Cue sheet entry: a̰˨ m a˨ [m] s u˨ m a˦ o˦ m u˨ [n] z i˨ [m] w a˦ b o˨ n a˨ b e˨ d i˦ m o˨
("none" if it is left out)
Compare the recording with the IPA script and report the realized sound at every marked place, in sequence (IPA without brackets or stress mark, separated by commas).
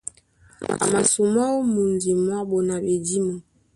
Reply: none, n, m